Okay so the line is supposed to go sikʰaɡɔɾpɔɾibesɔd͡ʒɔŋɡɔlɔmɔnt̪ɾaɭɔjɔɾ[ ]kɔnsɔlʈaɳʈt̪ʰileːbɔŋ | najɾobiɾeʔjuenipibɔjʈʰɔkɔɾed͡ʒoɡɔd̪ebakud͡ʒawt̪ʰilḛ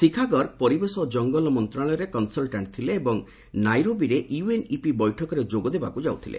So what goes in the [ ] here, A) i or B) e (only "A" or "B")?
B